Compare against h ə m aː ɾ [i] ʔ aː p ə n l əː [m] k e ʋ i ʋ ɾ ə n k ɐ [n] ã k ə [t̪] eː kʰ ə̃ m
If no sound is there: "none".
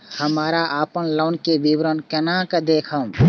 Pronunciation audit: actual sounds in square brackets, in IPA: a, n, n, d̪

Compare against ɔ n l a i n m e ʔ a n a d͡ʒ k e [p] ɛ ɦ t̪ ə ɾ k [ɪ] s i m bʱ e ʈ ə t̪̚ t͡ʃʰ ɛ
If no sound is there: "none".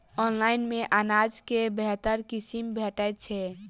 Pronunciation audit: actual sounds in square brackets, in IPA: b, i

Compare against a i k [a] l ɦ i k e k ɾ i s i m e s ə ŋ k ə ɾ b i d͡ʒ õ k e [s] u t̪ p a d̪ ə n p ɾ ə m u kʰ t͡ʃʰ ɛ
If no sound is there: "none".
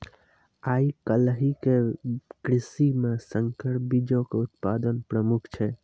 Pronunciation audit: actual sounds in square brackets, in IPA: ə, none

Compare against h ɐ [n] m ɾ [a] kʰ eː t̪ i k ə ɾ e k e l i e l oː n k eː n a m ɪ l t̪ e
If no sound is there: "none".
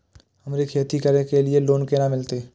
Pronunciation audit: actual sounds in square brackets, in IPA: none, e

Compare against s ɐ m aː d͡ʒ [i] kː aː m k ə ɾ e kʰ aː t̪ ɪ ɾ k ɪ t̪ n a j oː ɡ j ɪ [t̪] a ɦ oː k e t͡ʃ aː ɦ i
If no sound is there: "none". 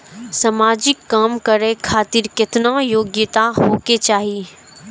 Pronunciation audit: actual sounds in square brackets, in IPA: ɪ, t̪

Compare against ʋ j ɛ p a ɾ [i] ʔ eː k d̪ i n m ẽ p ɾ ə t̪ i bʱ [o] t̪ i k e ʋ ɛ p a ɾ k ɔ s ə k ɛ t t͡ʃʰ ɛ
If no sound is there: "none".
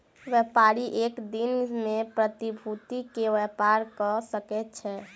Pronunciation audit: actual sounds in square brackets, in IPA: i, u

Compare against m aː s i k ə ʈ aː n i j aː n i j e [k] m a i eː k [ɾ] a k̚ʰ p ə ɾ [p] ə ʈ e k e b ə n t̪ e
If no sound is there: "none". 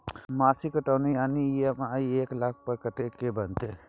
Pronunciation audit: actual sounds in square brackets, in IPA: none, l, k

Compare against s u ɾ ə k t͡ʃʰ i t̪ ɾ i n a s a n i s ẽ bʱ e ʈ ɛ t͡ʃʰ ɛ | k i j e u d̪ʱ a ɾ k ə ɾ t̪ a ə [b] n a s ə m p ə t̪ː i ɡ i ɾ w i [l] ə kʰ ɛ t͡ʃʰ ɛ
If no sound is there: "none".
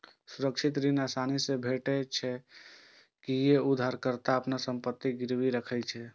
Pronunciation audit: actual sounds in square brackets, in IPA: p, ɾ

